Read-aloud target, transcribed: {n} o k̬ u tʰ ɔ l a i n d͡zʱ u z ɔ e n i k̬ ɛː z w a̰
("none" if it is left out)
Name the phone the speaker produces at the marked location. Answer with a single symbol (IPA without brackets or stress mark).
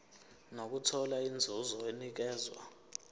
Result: n